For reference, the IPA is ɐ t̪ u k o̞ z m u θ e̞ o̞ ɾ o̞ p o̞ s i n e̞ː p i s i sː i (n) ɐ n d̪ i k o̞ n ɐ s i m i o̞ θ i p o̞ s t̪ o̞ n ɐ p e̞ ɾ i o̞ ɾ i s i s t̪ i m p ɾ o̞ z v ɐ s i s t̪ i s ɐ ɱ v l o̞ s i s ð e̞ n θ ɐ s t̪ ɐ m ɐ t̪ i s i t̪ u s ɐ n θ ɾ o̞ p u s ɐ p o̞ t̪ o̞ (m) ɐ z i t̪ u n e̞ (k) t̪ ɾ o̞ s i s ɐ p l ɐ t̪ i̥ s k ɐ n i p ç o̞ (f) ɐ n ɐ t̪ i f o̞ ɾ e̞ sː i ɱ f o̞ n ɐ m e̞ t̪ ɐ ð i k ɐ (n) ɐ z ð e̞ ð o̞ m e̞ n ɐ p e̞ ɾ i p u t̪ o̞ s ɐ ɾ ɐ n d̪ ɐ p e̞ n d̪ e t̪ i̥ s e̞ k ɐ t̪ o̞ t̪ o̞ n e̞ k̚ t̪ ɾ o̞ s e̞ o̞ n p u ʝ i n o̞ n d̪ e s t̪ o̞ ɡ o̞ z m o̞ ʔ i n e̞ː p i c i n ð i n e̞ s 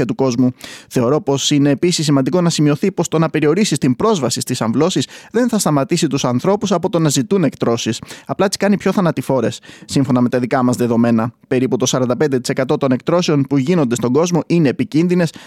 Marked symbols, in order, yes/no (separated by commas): no, no, yes, no, no